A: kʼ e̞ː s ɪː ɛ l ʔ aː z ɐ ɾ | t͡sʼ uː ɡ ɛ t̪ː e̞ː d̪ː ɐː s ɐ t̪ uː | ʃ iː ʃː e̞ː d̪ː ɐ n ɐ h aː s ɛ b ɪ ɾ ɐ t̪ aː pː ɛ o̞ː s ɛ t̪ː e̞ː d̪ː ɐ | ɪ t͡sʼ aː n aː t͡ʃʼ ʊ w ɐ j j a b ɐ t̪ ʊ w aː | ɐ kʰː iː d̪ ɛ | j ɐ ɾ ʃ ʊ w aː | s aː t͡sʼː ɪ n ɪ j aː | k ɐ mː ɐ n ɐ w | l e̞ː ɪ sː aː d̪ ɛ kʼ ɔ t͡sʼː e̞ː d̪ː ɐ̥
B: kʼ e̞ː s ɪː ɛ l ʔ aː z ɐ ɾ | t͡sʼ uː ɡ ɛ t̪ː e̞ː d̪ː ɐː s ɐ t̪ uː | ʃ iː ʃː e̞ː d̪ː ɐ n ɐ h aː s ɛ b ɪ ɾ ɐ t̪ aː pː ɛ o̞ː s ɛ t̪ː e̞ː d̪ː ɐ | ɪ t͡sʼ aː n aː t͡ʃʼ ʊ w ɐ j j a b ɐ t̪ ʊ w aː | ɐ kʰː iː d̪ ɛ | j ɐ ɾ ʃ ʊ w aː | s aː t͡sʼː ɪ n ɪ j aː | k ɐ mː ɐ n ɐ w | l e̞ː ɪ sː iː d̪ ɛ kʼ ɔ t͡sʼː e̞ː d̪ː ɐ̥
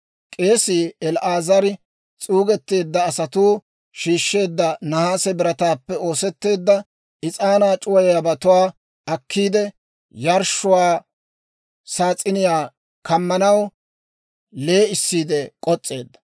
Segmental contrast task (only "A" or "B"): B